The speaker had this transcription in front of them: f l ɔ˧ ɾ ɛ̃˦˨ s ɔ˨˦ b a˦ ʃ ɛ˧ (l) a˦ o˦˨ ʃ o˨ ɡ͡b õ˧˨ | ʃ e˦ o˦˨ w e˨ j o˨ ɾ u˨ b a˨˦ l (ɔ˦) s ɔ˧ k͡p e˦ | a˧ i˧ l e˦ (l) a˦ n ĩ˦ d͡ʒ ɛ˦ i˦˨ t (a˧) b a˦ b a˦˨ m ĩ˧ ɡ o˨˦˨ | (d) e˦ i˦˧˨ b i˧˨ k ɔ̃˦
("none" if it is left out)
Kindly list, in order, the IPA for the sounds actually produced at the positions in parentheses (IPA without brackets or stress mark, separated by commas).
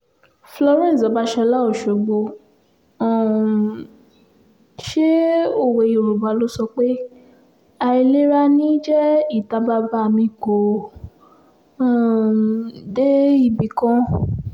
l, o˦, ɾ, a˧, d